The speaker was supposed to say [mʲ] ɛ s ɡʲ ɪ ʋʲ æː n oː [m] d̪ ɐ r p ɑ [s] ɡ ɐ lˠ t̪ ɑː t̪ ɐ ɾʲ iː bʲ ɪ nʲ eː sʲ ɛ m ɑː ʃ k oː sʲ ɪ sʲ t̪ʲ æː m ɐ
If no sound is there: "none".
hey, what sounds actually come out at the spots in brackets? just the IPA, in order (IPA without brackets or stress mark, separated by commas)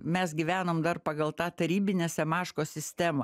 mʲ, m, none